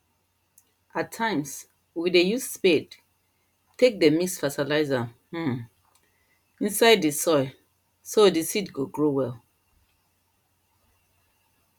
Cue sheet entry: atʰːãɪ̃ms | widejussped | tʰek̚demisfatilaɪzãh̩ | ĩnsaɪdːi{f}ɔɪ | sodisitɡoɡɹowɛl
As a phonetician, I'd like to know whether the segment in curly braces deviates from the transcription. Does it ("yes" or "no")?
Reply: yes